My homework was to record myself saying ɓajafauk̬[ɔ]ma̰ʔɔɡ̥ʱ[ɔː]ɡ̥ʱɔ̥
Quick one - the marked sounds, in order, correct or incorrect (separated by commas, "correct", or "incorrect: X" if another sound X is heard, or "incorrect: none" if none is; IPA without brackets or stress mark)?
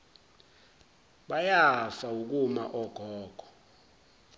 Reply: incorrect: u, correct